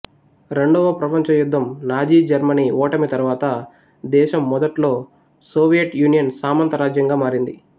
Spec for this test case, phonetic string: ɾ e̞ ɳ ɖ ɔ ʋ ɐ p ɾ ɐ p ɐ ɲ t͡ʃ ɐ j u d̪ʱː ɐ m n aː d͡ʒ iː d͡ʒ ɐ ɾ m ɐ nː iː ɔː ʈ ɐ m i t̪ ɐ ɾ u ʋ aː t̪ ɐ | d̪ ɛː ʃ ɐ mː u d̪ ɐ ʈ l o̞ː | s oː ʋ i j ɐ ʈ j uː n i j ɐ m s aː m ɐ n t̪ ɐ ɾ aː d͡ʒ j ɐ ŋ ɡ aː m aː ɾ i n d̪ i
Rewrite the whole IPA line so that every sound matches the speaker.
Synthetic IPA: ɾ e̞ ɳ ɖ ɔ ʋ ɐ p ɾ ɐ p ɐ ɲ t͡ʃ ɐ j u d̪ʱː ɐ m n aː d͡ʒ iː d͡ʒ ɐ ɾ m ɐ n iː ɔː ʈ ɐ m i t̪ ɐ ɾ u ʋ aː t̪ ɐ | d̪ ɛː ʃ ɐ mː ɔ d̪ ɐ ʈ l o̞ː | s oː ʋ i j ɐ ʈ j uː n i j ɐ n s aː m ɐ n t̪ ɐ ɾ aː d͡ʒ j ɐ ŋ ɡ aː m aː ɾ i n d̪ i